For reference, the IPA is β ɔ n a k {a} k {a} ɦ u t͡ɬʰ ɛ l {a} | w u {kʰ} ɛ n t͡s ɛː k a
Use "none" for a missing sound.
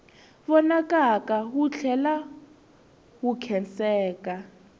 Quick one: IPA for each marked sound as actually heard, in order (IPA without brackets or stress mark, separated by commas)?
a, a, a, kʰ